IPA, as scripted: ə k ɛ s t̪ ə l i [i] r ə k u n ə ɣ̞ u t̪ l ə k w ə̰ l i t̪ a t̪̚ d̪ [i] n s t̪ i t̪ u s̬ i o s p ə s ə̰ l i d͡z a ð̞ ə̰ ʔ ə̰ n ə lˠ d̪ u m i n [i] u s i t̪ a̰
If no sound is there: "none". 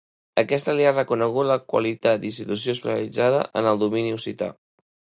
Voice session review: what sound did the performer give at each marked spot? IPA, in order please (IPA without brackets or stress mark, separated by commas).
a, i, i